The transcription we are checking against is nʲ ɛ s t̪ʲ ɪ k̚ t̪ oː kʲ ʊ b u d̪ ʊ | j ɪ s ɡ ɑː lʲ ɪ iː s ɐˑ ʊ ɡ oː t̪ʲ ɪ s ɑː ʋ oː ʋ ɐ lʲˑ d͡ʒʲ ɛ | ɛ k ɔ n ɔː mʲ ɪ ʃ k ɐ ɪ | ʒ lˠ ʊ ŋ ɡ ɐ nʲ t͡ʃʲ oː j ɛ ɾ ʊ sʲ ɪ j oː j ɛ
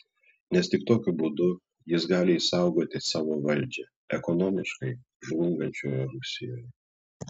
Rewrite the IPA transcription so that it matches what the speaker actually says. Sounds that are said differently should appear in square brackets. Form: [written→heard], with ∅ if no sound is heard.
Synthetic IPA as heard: nʲ ɛ s t̪ʲ ɪ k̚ t̪ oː kʲ ʊ b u d̪ ʊ | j ɪ s ɡ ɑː lʲ ɪ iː s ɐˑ ʊ ɡ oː t̪ʲ ɪ s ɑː ʋ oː ʋ ɐ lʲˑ d͡ʒʲ ɛ | ɛ k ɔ n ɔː mʲ ɪ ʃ k ɐ ɪ | ʒ lˠ ʊ ŋ ɡ ɐ nʲ t͡ʃʲ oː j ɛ ɾ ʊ sʲ ɪ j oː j ɛ

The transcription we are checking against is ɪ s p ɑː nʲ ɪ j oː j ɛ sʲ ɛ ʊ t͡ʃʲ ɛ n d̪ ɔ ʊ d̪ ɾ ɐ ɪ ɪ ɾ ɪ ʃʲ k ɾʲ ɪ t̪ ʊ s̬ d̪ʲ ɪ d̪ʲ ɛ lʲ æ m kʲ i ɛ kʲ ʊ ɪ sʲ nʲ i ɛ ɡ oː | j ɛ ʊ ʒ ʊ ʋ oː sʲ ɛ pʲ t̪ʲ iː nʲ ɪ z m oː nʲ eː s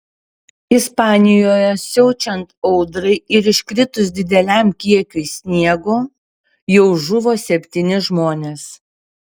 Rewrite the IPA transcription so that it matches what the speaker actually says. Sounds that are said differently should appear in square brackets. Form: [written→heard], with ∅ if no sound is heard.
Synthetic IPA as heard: ɪ s p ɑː nʲ ɪ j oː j ɛ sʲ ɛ ʊ t͡ʃʲ ɛ n [d̪→t̪] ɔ ʊ d̪ ɾ ɐ ɪ ɪ ɾ ɪ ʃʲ k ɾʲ ɪ t̪ ʊ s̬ d̪ʲ ɪ d̪ʲ ɛ lʲ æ m kʲ i ɛ kʲ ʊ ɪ sʲ nʲ i ɛ ɡ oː | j ɛ ʊ ʒ ʊ ʋ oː sʲ ɛ pʲ t̪ʲ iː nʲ ɪ [z→ʒ] m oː nʲ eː s

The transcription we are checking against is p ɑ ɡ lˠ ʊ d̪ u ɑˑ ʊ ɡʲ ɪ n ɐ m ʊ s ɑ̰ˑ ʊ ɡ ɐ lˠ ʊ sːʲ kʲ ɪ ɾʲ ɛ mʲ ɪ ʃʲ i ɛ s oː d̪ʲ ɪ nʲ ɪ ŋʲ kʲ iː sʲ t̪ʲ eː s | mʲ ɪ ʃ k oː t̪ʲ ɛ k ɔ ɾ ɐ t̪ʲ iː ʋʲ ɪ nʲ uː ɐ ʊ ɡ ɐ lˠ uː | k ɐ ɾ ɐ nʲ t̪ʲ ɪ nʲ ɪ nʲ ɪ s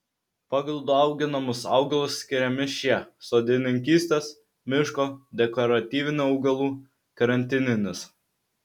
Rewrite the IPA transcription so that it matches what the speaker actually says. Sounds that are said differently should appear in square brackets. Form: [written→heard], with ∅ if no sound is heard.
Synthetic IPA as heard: p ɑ ɡ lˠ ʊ d̪ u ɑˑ ʊ ɡʲ ɪ n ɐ m ʊ s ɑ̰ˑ ʊ ɡ ɐ lˠ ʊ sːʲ kʲ ɪ ɾʲ ɛ mʲ ɪ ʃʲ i ɛ s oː d̪ʲ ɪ nʲ ɪ ŋʲ kʲ iː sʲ t̪ʲ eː s | mʲ ɪ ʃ k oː [t̪ʲ→d̪ʲ] ɛ k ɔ ɾ ɐ t̪ʲ iː ʋʲ ɪ nʲ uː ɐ ʊ ɡ ɐ lˠ uː | k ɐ ɾ ɐ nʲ t̪ʲ ɪ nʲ ɪ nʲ ɪ s

